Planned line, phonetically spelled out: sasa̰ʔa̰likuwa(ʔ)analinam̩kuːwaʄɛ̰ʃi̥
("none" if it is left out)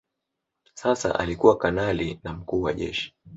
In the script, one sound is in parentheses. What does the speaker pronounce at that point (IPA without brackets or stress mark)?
k